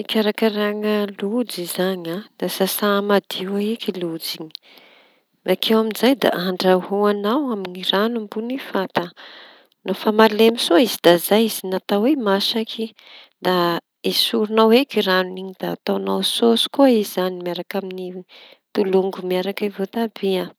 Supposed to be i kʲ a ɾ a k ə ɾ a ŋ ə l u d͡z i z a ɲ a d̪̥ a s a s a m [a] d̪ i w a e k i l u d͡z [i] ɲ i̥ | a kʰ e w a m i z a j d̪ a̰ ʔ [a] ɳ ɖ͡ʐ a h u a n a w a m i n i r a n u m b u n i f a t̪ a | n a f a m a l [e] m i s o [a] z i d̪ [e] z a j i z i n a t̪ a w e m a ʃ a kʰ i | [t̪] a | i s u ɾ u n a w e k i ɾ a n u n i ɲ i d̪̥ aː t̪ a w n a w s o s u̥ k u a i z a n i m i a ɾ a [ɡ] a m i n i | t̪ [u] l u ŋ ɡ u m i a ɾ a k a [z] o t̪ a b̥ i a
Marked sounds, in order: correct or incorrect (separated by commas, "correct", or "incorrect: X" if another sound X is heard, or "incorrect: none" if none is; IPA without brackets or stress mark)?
correct, correct, correct, correct, incorrect: i, incorrect: a, incorrect: d̪, incorrect: k, correct, incorrect: v